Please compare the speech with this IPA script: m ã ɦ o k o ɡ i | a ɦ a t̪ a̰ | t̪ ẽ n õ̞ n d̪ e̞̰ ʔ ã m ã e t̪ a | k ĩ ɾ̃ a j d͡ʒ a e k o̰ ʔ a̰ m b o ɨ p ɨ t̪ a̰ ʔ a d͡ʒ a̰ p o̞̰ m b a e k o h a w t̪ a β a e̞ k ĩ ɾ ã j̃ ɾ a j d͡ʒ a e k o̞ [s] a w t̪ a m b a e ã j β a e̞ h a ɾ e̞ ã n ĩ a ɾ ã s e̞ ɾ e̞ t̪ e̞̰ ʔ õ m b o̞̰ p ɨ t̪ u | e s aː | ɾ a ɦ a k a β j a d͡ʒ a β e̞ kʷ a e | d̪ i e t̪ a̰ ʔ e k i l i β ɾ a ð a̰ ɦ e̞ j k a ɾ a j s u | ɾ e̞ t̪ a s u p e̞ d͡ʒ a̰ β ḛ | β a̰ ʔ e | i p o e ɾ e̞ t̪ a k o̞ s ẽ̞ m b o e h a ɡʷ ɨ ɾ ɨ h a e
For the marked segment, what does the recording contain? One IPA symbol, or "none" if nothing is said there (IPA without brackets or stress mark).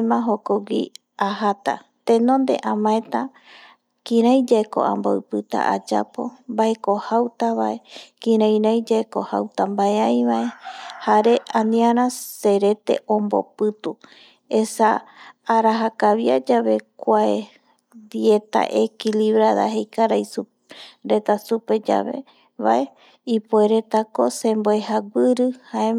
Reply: h